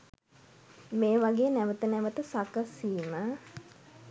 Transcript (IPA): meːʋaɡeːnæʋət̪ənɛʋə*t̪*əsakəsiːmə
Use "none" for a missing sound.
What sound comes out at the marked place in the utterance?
t̪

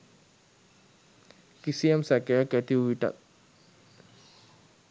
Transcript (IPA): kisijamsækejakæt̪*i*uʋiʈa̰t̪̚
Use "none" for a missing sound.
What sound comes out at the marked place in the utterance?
i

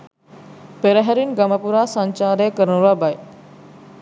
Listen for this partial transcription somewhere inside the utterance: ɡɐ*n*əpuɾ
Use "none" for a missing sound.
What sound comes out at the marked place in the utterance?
m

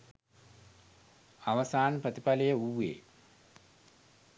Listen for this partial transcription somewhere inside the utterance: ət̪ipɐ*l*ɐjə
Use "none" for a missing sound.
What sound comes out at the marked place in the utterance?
l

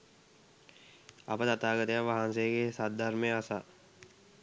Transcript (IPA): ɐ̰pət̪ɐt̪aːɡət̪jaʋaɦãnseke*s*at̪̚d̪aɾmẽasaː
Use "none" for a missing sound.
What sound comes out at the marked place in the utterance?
s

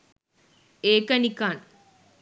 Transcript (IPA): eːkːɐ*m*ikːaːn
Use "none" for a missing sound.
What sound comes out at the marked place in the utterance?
n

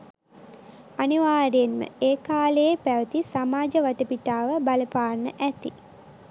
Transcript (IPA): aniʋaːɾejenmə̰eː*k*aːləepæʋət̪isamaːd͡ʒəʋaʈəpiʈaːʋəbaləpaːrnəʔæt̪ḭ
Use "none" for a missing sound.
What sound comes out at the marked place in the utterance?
k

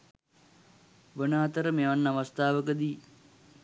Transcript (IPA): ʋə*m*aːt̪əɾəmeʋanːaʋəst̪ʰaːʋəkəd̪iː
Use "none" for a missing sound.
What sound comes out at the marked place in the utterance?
n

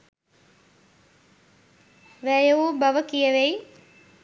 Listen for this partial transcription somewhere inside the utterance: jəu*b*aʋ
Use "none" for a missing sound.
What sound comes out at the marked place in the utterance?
b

